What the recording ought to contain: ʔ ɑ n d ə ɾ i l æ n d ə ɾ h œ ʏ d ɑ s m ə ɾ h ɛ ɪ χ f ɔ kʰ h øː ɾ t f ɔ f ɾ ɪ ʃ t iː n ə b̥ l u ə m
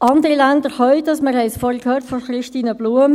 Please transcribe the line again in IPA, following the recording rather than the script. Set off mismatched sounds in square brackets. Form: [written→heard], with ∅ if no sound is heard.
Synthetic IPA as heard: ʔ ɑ n d ə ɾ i l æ n d ə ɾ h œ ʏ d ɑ s m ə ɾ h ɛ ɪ [χ→s] f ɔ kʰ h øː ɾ t f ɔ [f→χ] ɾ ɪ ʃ t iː n ə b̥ l u ə m